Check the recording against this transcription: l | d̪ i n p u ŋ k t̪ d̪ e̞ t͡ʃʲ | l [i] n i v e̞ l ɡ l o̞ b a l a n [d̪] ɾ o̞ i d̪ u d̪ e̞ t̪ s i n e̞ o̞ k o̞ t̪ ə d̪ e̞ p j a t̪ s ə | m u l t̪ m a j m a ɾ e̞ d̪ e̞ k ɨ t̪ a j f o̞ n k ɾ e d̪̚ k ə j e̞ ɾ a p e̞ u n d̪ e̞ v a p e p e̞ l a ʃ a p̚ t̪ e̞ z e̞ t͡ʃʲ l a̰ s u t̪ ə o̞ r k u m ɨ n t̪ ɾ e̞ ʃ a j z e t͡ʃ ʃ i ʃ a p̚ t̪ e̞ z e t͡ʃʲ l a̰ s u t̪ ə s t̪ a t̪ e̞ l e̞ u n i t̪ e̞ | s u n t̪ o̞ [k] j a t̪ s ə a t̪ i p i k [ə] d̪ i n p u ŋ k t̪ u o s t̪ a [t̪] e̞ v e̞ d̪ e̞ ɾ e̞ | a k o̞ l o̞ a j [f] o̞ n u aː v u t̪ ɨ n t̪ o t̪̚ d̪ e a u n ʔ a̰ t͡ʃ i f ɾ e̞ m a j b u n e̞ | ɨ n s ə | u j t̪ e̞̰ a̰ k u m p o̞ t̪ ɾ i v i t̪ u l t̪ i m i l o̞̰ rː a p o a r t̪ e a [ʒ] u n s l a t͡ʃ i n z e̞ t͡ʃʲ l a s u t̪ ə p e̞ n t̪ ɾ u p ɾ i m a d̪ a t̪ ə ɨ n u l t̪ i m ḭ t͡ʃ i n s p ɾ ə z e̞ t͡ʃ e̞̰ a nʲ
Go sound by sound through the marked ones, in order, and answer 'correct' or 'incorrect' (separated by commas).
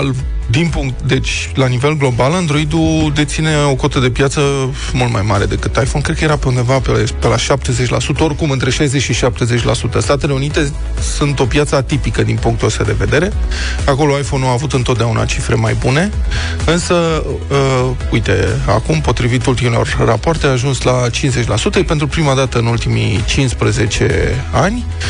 incorrect, correct, incorrect, correct, incorrect, correct, correct